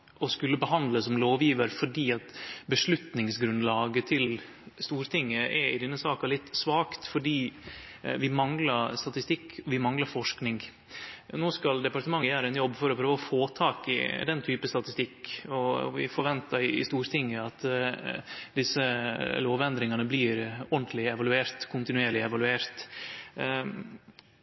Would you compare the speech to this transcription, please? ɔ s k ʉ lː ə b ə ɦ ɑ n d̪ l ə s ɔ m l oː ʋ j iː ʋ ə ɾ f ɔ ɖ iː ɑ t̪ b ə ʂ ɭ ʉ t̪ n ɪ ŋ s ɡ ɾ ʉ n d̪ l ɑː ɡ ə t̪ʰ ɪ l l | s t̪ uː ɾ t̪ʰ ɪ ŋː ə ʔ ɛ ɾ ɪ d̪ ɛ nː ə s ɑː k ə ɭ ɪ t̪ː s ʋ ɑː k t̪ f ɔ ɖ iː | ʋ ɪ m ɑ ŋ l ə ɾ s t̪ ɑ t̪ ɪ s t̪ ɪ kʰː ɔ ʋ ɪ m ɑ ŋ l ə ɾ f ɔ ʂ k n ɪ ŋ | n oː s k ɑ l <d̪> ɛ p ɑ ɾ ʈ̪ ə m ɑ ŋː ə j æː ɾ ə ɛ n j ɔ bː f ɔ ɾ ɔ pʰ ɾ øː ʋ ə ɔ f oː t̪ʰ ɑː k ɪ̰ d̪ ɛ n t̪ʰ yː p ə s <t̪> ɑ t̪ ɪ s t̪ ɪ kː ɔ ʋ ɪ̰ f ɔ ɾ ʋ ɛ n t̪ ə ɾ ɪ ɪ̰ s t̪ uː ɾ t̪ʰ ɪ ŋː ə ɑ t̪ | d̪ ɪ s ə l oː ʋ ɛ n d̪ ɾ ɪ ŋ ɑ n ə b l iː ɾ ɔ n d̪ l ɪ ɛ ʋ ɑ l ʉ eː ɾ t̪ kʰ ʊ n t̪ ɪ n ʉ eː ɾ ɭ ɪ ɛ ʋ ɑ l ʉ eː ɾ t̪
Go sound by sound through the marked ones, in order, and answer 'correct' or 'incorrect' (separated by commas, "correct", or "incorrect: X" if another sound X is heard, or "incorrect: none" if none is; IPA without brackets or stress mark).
correct, correct